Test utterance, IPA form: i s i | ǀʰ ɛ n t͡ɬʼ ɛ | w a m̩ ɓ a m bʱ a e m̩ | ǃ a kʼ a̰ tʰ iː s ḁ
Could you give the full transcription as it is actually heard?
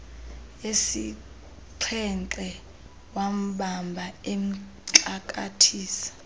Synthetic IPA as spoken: e s i | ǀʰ ɛ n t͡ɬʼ ɛ | w a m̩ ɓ a m bʱ a e m̩ | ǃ a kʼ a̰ tʰ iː s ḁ